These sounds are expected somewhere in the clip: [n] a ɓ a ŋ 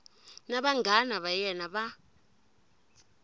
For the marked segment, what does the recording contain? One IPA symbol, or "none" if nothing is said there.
n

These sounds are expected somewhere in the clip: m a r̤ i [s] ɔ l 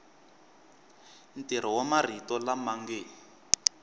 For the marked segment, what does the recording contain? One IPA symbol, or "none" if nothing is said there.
t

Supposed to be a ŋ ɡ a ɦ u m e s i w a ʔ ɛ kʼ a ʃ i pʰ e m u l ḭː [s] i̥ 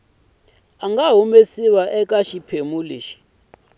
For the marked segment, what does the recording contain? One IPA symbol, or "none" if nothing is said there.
ʃ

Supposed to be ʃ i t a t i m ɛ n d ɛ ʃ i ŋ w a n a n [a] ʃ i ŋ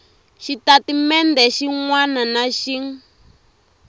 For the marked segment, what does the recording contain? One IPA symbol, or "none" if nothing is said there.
a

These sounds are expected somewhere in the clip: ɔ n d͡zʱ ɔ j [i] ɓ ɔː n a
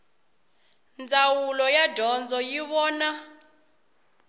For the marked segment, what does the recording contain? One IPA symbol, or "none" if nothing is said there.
i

